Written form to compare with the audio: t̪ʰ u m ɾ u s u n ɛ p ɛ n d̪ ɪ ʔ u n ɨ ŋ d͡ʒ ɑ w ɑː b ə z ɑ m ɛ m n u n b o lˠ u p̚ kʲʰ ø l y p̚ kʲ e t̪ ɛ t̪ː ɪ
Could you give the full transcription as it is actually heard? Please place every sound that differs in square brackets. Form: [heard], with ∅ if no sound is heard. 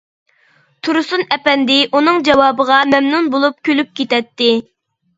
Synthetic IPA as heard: t̪ʰ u [∅] ɾ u s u n ɛ p ɛ n d̪ ɪ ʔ u n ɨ ŋ d͡ʒ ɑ w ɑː b ə [ʁ] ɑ m ɛ m n u n b o lˠ u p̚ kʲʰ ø l y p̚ kʲ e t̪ ɛ t̪ː ɪ